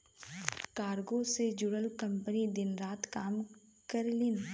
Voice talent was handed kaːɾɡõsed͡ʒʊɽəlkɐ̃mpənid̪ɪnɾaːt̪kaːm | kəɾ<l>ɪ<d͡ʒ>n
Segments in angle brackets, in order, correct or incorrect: correct, incorrect: none

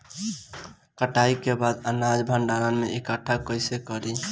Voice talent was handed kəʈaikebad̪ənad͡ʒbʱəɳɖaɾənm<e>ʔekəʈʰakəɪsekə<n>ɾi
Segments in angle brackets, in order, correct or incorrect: correct, incorrect: none

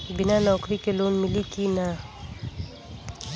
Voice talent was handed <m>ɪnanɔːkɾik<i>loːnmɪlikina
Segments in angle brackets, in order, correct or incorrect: incorrect: b, incorrect: e

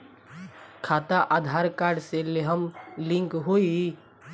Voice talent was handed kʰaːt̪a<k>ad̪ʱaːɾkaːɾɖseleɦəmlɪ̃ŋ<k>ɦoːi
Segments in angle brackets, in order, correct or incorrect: incorrect: ʔ, correct

